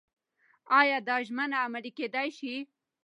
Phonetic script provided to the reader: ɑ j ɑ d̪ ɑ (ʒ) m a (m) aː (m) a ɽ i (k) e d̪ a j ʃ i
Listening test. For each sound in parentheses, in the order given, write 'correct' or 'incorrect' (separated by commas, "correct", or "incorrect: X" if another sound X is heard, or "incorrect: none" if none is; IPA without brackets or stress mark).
correct, incorrect: n, correct, correct